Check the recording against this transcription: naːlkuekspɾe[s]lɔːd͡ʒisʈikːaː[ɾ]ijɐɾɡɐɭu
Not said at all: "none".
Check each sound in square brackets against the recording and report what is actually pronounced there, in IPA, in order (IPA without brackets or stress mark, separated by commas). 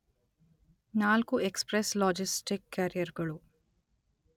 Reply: s, ɾ